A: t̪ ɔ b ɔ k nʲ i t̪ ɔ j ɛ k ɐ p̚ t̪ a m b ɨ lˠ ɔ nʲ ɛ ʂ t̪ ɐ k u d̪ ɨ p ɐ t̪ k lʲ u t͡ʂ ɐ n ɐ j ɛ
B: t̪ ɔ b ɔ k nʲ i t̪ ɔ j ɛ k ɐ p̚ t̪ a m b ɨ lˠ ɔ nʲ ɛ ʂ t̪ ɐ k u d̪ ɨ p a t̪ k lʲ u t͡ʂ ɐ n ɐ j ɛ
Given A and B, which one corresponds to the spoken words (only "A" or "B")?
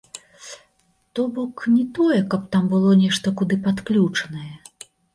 B